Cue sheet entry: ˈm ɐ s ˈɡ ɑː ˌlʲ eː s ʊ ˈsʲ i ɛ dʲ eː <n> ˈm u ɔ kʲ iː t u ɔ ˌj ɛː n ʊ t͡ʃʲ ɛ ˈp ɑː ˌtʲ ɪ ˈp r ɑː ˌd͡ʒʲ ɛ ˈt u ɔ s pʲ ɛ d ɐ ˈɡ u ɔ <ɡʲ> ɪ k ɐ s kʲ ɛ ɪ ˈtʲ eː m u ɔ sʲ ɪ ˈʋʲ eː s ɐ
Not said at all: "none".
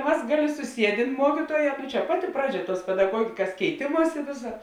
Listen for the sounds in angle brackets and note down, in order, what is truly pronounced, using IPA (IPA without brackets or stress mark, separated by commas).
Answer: n, ɡʲ